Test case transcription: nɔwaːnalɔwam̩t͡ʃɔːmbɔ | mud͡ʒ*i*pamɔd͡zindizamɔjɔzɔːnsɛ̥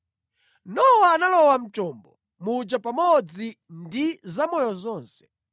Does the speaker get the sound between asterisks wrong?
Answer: yes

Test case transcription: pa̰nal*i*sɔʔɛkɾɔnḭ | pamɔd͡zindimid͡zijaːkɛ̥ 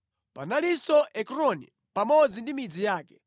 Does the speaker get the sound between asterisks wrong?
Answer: no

